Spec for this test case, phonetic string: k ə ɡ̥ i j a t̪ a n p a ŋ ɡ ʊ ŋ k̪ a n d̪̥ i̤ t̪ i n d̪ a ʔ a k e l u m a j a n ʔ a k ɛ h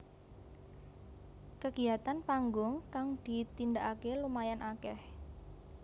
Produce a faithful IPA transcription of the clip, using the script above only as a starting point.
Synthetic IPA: k ə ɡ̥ i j a t̪ a n p a ŋ ɡ ʊ ŋ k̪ a ŋ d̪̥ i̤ t̪ i n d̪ a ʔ a k e l u m a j a n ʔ a k ɛ h